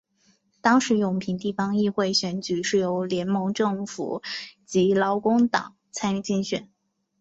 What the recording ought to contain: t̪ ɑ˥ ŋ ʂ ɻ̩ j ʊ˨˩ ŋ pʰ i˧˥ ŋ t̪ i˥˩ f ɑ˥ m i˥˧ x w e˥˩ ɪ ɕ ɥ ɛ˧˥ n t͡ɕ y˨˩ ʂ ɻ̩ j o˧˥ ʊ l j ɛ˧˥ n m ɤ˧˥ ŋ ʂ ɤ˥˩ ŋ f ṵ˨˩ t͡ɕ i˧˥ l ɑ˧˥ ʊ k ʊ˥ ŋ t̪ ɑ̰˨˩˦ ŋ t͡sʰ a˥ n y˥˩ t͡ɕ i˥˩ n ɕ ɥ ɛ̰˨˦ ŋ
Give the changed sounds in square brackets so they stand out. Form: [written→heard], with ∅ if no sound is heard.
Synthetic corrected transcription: t̪ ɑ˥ ŋ ʂ ɻ̩ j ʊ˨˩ ŋ pʰ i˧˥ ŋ t̪ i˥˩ f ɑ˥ [m→ŋ] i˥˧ x w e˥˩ ɪ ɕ ɥ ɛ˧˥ n t͡ɕ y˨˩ ʂ ɻ̩ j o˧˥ ʊ l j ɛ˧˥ n m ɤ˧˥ ŋ [ʂ→ʈ͡ʂ] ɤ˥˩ ŋ f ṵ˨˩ t͡ɕ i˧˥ l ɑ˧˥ ʊ k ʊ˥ ŋ t̪ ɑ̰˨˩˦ ŋ t͡sʰ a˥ n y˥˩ t͡ɕ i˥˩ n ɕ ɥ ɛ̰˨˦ [ŋ→n]

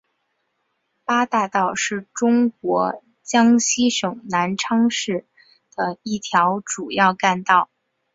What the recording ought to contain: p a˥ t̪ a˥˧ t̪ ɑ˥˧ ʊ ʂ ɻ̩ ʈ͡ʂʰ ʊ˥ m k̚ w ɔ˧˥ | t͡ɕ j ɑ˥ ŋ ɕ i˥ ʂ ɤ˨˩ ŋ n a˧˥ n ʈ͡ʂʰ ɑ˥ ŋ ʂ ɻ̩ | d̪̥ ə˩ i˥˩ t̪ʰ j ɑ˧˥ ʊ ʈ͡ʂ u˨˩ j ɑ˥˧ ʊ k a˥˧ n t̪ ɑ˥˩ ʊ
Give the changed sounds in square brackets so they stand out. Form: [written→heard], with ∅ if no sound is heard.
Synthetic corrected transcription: p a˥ t̪ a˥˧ t̪ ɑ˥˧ ʊ ʂ ɻ̩ [ʈ͡ʂʰ→ʈ͡ʂ] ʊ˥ [m→ŋ] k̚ w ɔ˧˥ | t͡ɕ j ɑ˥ ŋ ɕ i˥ ʂ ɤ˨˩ ŋ n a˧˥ n ʈ͡ʂʰ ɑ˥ ŋ ʂ ɻ̩ | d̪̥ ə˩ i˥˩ t̪ʰ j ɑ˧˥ ʊ ʈ͡ʂ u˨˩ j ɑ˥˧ ʊ k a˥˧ n t̪ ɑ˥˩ ʊ

